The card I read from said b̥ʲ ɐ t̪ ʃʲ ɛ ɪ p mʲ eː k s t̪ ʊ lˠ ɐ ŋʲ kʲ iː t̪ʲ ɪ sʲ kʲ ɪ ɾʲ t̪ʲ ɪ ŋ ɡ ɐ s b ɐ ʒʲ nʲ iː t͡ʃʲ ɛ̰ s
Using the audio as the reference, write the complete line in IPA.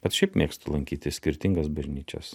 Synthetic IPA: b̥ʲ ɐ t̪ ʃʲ ɛ ɪ p mʲ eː k s t̪ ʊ lˠ ɐ ŋʲ kʲ iː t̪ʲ ɪ sʲ kʲ ɪ ɾʲ t̪ʲ ɪ ŋ ɡ ɐ s b ɐ ʒʲ nʲ iː t͡ʃʲ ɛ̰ s